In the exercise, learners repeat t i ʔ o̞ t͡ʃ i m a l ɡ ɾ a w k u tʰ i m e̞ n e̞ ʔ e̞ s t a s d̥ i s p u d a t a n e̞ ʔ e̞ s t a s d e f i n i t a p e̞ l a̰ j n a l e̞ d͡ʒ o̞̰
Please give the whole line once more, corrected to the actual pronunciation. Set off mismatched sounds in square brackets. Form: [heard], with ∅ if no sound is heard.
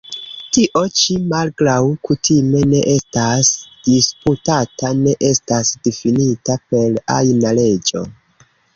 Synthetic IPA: t i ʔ o̞ t͡ʃ i m a l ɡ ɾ a w k u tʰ i m e̞ n e̞ ʔ e̞ s t a s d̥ i s p u [t] a t a n e̞ ʔ e̞ s t a s d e f i n i t a p e̞ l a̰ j n a l e̞ d͡ʒ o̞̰